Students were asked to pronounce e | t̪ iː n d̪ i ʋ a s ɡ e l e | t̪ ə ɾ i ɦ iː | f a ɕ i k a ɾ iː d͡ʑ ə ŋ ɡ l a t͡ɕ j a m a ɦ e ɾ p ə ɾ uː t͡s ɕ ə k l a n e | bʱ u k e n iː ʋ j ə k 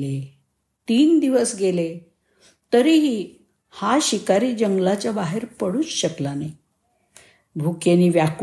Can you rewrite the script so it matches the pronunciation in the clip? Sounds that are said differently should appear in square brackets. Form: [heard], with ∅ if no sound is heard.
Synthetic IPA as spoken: e | t̪ iː n d̪ i ʋ [ə] s ɡ e l e | t̪ ə ɾ i ɦ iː | [h] a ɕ i k a ɾ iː d͡ʑ ə ŋ ɡ l a t͡ɕ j a [b] a ɦ e ɾ p ə [ɽ] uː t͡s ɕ ə k l a n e | bʱ u k e n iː ʋ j [a] k